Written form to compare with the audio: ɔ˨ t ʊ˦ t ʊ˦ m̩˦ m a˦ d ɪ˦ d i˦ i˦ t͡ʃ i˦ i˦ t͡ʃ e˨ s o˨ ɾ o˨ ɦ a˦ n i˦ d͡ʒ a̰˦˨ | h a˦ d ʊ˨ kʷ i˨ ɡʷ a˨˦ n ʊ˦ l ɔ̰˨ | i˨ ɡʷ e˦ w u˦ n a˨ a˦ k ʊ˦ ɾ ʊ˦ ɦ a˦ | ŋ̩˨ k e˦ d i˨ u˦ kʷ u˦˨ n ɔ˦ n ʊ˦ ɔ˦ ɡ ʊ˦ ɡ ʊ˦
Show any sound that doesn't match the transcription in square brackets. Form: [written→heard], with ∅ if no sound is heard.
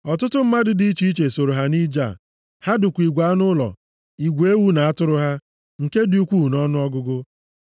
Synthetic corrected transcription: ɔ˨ t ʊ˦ t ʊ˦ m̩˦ m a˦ d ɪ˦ d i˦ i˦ t͡ʃ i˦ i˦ t͡ʃ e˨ s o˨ ɾ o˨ ɦ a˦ n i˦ d͡ʒ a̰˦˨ | h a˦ d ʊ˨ kʷ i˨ ɡʷ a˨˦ n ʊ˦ l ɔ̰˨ | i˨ ɡʷ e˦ w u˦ n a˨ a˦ [k→t] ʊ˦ ɾ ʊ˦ ɦ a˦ | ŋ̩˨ k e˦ d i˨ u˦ kʷ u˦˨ n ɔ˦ n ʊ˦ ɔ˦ ɡ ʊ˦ ɡ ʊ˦

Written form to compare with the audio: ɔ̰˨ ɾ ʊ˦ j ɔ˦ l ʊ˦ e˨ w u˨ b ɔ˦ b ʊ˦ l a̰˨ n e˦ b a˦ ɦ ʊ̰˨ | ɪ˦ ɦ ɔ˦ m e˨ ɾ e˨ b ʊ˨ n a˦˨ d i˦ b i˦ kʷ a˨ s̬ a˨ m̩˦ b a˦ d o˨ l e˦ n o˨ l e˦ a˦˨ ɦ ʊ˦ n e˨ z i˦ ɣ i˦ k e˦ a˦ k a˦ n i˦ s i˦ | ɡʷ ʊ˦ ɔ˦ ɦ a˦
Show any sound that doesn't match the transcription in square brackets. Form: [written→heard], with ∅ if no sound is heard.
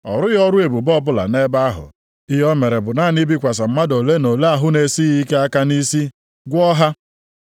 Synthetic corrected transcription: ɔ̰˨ ɾ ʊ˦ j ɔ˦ [l→ɾ] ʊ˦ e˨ [w→b] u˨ b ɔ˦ b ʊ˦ l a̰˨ n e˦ b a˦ ɦ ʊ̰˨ | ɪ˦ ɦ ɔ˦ m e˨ ɾ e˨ b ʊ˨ n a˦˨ [d→n] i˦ b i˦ kʷ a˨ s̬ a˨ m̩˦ [b→m] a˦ d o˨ l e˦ n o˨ l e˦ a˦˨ ɦ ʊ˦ n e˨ [z→s] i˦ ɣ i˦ k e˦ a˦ k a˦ n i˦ s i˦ | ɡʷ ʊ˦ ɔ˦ ɦ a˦

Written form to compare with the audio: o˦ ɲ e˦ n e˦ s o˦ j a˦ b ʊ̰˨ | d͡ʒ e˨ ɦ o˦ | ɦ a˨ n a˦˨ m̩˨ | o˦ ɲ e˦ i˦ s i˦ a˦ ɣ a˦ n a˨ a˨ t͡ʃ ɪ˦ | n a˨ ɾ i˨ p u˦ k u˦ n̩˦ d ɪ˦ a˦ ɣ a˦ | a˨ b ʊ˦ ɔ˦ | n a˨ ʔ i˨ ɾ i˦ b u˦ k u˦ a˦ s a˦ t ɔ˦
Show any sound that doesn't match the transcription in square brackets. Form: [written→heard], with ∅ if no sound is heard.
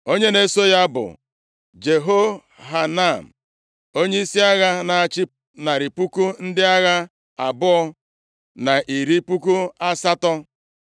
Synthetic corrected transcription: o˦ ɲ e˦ n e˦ s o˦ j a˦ b ʊ̰˨ | d͡ʒ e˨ ɦ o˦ | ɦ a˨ n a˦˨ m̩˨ | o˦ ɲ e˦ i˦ s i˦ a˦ ɣ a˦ n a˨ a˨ t͡ʃ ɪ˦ | n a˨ ɾ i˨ p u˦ k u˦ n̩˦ d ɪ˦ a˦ ɣ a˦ | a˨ b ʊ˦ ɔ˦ | n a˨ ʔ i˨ ɾ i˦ [b→p] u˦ k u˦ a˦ s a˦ t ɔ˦

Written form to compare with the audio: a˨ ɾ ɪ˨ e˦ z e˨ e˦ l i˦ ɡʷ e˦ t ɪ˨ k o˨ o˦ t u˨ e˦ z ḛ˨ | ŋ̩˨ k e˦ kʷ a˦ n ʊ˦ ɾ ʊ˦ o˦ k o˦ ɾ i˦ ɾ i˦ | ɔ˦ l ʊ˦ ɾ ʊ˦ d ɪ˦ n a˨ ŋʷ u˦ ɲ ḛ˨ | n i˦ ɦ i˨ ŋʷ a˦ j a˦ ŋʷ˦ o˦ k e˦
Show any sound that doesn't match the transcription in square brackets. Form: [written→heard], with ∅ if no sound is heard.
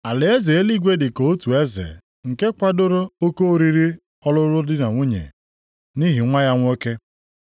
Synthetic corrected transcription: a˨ [ɾ→l] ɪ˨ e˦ z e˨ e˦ l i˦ ɡʷ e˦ [t→d] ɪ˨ k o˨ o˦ t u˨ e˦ z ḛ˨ | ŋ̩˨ k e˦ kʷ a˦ [n→d] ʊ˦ ɾ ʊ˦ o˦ k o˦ ɾ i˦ ɾ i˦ | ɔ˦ l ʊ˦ ɾ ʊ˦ d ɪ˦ n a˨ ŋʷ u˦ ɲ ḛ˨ | n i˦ ɦ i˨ ŋʷ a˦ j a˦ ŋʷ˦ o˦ k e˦

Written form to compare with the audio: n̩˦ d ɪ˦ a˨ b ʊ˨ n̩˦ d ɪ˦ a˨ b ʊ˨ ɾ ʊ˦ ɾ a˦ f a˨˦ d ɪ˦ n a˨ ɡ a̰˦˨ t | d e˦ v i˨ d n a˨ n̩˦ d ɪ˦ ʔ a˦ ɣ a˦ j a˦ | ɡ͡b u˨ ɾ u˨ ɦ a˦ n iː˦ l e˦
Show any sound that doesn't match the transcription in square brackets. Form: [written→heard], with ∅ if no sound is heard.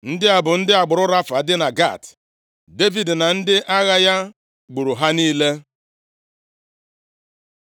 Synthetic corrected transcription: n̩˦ d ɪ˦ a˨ b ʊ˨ n̩˦ d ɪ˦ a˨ [b→ɡ͡b] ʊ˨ ɾ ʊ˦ ɾ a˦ f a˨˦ d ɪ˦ n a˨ ɡ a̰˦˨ t | d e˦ v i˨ d n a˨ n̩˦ d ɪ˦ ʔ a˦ ɣ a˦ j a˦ | ɡ͡b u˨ ɾ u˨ ɦ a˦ n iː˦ l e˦

